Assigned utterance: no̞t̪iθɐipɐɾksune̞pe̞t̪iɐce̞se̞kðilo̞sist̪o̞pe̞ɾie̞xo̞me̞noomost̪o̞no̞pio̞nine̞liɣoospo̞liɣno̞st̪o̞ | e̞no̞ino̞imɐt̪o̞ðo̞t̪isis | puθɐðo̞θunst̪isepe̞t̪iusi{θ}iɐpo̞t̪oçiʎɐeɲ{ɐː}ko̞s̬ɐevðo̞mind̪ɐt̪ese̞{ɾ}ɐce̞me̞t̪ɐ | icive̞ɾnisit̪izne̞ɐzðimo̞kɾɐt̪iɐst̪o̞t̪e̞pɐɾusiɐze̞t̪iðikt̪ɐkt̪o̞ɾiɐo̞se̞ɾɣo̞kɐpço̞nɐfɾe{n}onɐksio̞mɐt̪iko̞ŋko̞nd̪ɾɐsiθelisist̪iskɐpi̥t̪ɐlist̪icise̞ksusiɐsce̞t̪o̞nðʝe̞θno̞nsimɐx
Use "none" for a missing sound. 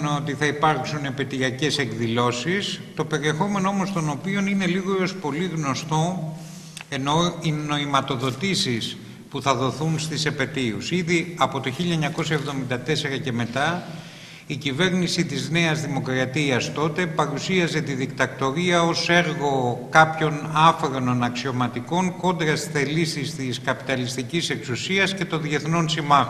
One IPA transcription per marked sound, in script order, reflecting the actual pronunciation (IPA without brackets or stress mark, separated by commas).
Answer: ð, ɐ, ɾ, n